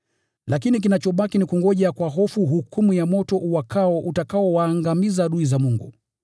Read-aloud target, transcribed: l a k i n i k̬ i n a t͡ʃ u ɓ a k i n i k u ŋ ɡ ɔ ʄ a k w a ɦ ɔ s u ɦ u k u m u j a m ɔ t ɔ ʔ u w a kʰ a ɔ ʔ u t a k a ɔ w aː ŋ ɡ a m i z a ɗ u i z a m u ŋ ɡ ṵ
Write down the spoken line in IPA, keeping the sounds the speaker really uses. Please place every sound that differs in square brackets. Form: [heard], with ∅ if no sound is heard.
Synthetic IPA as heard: l a k i n i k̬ i n a t͡ʃ [ɔ] ɓ a k i n i k u ŋ ɡ ɔ ʄ a k w a ɦ ɔ [f] u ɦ u k u m u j a m ɔ t ɔ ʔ u w a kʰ a ɔ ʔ u t a k a ɔ w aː ŋ ɡ a m i z a ɗ u i z a m u ŋ ɡ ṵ

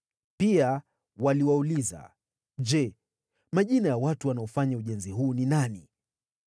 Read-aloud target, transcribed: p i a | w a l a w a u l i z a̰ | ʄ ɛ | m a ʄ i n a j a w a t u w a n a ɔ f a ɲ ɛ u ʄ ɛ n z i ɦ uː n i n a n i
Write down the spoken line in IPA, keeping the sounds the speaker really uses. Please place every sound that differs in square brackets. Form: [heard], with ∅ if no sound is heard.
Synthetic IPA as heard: p i a | w a l [i] w a u l i z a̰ | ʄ ɛ | m a ʄ i n a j a w a t u w a n a ɔ f a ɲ [a] u ʄ ɛ n z i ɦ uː n i n a n i

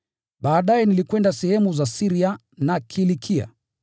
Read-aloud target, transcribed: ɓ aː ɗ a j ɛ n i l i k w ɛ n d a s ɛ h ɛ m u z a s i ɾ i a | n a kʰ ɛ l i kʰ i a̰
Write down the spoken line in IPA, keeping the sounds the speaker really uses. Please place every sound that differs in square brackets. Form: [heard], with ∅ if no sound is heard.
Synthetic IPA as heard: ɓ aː ɗ a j ɛ n i l i k w ɛ n d a s ɛ h ɛ m u z a s i ɾ i a | n a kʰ [i] l i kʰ i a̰

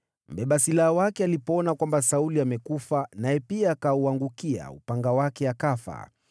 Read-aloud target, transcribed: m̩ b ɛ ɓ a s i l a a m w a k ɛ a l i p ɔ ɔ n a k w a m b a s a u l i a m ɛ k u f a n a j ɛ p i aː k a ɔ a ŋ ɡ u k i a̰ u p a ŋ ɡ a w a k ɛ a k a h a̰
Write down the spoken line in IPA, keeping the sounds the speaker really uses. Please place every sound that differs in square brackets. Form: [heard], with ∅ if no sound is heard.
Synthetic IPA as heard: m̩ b ɛ ɓ a s i l a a [∅] w a k ɛ a l i p ɔ ɔ n a k w a m b a s a u l i a m ɛ k u f a n a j ɛ p i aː k a [u] a ŋ ɡ u k i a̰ u p a ŋ ɡ a w a k ɛ a k a [f] a̰

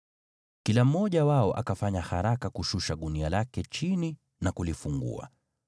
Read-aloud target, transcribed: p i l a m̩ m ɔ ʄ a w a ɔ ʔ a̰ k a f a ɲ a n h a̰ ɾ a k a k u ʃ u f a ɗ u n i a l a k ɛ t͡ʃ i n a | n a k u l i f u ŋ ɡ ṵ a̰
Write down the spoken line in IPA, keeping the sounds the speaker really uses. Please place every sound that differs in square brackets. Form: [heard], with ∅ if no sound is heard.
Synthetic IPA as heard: [k] i l a m̩ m ɔ ʄ a w a ɔ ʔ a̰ k a f a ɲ a [∅] h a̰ ɾ a k a k u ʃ u [ʃ] a ɗ u n i a l a k ɛ t͡ʃ i n [i] | n a k u l i f u ŋ ɡ ṵ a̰

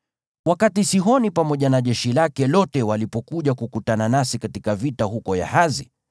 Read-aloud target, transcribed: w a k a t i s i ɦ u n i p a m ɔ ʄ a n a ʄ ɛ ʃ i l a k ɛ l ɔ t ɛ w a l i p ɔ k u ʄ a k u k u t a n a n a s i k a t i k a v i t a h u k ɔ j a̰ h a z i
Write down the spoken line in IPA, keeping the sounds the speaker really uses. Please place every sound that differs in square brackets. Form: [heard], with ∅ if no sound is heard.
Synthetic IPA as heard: w a k a t i s i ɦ [ɔ] n i p a m ɔ ʄ a n a ʄ ɛ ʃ i l a k ɛ l ɔ t ɛ w a l i p ɔ k u ʄ a k u k u t a n a n a s i k a t i k a v i t a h u k ɔ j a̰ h a z i

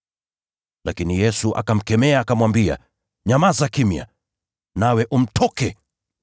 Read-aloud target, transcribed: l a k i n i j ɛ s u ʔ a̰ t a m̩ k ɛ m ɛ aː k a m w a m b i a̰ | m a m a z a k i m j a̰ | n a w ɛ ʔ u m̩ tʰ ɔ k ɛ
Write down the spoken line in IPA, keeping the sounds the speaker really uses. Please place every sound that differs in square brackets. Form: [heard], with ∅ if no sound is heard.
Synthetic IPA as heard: l a k i n i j ɛ s u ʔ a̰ [k] a m̩ k ɛ m ɛ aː k a m w a m b i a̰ | [ɲ] a m a z a k i m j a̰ | n a w ɛ ʔ u m̩ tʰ ɔ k ɛ

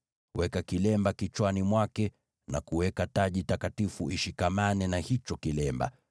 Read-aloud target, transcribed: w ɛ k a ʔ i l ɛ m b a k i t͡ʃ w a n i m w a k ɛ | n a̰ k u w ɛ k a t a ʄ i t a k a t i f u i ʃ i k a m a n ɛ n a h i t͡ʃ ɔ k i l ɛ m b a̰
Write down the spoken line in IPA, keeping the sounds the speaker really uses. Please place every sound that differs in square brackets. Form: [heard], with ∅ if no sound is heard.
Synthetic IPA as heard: w ɛ k a [k] i l ɛ m b a k i t͡ʃ w a n i m w a k ɛ | n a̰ k u w ɛ k a t a ʄ i t a k a t i f u i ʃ i k a m a n ɛ n a h i t͡ʃ ɔ k i l ɛ m b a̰

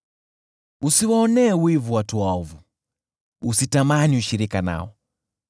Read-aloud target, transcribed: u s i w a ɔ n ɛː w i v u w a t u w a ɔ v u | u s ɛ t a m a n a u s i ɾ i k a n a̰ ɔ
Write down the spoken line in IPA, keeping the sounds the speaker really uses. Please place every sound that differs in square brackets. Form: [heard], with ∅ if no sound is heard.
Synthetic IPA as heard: u s i w a ɔ n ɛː w i v u w a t u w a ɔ v u | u s [i] t a m a n [i] u [ʃ] i ɾ i k a n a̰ ɔ

